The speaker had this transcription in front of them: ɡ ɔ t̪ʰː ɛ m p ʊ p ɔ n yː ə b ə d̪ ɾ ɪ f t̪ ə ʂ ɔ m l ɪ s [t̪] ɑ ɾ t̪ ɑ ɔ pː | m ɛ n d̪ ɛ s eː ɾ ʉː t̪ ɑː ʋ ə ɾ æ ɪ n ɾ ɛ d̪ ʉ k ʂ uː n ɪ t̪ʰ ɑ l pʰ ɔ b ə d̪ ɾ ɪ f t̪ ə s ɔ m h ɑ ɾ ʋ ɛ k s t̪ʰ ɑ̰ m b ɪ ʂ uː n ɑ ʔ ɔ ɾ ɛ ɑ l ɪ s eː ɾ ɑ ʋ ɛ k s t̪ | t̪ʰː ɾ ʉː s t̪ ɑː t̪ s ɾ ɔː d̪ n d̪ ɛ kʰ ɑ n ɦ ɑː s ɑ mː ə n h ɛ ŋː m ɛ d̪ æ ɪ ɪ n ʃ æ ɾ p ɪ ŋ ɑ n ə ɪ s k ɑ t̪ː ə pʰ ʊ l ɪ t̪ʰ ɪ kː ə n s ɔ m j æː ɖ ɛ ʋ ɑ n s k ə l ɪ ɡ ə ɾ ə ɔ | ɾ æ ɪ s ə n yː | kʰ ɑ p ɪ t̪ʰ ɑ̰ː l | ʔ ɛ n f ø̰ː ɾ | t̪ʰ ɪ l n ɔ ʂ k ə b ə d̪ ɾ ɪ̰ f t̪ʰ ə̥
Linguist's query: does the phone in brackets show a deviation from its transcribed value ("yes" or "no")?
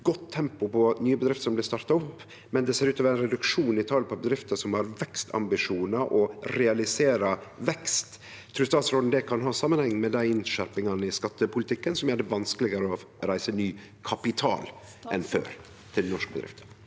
no